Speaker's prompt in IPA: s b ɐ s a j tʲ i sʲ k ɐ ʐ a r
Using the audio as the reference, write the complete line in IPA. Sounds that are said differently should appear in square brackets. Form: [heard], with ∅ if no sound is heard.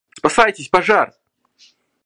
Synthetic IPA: s [p] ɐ s a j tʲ [ɪ] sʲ [p] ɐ ʐ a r

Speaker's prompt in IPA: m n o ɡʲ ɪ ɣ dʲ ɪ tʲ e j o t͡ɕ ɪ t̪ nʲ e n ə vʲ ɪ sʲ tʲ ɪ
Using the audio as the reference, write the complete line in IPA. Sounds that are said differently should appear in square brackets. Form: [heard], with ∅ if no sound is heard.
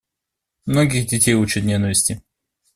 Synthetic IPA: m n o ɡʲ ɪ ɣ dʲ ɪ tʲ e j [u] t͡ɕ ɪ t̪ nʲ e n ə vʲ ɪ sʲ tʲ ɪ

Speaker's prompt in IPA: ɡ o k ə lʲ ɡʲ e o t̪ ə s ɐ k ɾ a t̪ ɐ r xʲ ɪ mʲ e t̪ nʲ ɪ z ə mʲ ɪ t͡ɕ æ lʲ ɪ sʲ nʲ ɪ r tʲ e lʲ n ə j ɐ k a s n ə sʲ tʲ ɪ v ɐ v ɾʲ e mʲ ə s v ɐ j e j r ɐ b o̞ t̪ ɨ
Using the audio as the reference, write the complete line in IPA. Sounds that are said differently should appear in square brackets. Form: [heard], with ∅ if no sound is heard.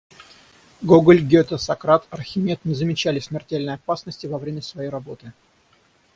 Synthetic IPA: ɡ o [ɡ] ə lʲ ɡʲ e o t̪ ə s ɐ k ɾ a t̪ ɐ r xʲ ɪ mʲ e t̪ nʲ ɪ z ə mʲ ɪ t͡ɕ æ lʲ ɪ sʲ [mʲ] ɪ r tʲ e lʲ n ə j ɐ [p] a s n ə sʲ tʲ ɪ v ɐ v ɾʲ e mʲ ə s v ɐ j e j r ɐ b o̞ t̪ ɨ

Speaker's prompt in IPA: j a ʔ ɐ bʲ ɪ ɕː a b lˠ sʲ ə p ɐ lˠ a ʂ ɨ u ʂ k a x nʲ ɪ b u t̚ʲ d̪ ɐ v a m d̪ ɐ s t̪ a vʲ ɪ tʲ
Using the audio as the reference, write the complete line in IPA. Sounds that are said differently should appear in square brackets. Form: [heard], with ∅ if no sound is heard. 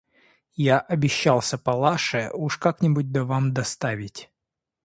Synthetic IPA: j a ʔ ɐ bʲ ɪ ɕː a [∅] lˠ sʲ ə p ɐ lˠ a ʂ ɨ u ʂ k a [k] nʲ ɪ b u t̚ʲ d̪ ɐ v a m d̪ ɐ s t̪ a vʲ ɪ tʲ

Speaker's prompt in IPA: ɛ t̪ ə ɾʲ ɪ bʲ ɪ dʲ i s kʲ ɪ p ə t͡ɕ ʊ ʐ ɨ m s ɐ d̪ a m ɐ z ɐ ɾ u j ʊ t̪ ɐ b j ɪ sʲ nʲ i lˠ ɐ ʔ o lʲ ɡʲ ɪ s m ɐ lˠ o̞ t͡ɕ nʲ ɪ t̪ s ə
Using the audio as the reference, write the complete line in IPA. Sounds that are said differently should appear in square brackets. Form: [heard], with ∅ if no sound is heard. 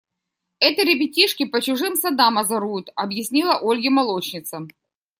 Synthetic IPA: ɛ t̪ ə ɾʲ ɪ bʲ ɪ [tʲ] i [ʂ] kʲ ɪ p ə t͡ɕ ʊ ʐ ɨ m s ɐ d̪ a m ɐ z ɐ ɾ u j ʊ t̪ ɐ b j ɪ sʲ nʲ i lˠ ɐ ʔ o lʲ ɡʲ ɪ [∅] m ɐ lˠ o̞ t͡ɕ nʲ ɪ t̪ s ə

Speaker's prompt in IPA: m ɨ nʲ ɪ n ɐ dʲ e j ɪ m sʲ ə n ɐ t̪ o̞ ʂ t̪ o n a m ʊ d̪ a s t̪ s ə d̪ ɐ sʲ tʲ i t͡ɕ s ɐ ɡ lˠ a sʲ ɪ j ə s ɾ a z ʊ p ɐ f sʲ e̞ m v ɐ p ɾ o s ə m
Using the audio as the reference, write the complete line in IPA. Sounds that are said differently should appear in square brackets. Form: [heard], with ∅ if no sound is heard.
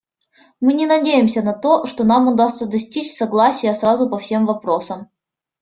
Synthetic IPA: m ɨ nʲ ɪ n ɐ dʲ e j ɪ m sʲ ə n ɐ t̪ o̞ ʂ t̪ o n a m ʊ d̪ a s t̪ s ə d̪ ɐ sʲ tʲ i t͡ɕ s ɐ ɡ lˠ a sʲ ɪ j ə s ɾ a z ʊ p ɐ f sʲ e̞ m v ɐ p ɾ o s ə m

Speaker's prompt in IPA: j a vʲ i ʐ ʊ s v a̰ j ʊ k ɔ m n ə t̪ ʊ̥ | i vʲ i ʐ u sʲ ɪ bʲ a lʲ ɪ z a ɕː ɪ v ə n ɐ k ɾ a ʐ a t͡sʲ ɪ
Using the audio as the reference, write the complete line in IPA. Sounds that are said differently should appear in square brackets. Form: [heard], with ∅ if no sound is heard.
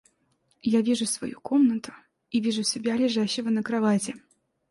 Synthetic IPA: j a vʲ i ʐ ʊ s v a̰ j [u] k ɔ m n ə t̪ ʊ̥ | i vʲ i ʐ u sʲ ɪ bʲ a lʲ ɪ [ʐ] a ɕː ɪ v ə n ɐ k ɾ a [v] a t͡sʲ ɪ

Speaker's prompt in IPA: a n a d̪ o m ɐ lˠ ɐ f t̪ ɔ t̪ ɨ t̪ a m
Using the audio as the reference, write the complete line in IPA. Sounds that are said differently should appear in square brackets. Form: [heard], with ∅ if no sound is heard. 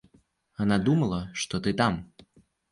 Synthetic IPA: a n a d̪ [u] m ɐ lˠ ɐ [ʂ] t̪ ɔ t̪ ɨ t̪ a m

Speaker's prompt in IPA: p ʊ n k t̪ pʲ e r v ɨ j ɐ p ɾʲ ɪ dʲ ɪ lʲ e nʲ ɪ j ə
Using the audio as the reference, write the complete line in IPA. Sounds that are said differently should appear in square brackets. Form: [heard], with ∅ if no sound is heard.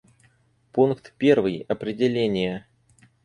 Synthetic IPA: p [u] n k t̪ pʲ e r v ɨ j ɐ p ɾʲ ɪ dʲ ɪ lʲ e nʲ ɪ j ə

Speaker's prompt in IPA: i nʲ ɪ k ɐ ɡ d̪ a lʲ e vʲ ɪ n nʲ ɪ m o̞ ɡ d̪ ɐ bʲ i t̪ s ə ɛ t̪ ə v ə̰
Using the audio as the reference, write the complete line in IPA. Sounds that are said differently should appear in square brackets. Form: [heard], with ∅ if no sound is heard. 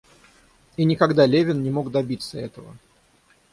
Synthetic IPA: i nʲ ɪ k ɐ ɡ d̪ a lʲ e vʲ ɪ n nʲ ɪ m o̞ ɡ d̪ ɐ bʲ i t̪ s ə ɛ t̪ ə v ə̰

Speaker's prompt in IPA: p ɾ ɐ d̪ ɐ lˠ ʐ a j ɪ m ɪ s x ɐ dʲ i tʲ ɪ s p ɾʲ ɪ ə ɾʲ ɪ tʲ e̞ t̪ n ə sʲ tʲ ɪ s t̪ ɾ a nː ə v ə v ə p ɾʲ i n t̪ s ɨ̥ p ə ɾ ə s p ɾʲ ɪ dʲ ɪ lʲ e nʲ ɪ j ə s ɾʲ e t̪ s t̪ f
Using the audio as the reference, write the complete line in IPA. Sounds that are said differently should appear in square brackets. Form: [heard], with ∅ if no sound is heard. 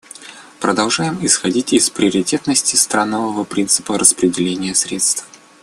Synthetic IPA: p ɾ [ə] d̪ ɐ lˠ ʐ a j ɪ m ɪ s x ɐ dʲ i tʲ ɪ s p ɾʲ ɪ ə ɾʲ ɪ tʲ e̞ t̪ n ə sʲ tʲ ɪ s t̪ ɾ a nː ə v ə v ə p ɾʲ i n t̪ s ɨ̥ p ə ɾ ə s p ɾʲ ɪ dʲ ɪ lʲ e nʲ ɪ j ə s ɾʲ e t̪ s t̪ f

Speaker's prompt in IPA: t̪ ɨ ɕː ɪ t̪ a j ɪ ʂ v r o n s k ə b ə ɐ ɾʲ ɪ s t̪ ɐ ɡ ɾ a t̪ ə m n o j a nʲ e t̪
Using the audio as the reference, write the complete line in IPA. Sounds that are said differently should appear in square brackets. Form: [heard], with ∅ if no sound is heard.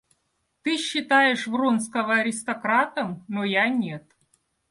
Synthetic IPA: t̪ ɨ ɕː ɪ t̪ a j ɪ ʂ v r o n s k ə [v] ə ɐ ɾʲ ɪ s t̪ ɐ [k] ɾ a t̪ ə m n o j a nʲ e t̪

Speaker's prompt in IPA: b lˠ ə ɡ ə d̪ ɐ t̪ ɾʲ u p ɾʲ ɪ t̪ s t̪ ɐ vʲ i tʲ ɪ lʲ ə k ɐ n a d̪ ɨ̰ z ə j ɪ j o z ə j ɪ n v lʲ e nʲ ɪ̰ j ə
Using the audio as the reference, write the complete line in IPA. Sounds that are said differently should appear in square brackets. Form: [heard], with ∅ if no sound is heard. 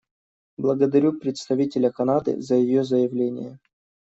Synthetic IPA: b lˠ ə ɡ ə d̪ ɐ [∅] ɾʲ u p ɾʲ ɪ t̪ s t̪ ɐ vʲ i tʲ ɪ lʲ ə k ɐ n a d̪ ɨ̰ z ə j ɪ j o z ə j ɪ [∅] v lʲ e nʲ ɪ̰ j ə

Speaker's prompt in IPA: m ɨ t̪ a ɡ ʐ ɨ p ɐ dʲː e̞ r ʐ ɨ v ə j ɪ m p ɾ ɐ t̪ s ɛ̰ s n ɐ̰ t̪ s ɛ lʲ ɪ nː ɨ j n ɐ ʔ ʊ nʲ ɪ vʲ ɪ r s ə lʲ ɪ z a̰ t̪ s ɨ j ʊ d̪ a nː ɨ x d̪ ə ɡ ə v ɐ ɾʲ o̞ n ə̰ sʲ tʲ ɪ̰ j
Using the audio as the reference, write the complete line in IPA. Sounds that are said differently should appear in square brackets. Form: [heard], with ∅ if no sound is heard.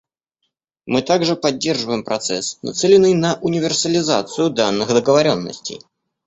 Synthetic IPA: m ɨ t̪ a ɡ ʐ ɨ p ɐ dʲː e̞ r ʐ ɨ v ə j ɪ m p ɾ ɐ t̪ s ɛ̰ s n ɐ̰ t̪ s ɛ lʲ ɪ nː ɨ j n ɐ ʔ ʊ nʲ ɪ vʲ ɪ r s ə lʲ ɪ z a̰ t̪ s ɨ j ʊ d̪ a nː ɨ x d̪ ə ɡ ə v ɐ ɾʲ o̞ [nː] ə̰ sʲ tʲ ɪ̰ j

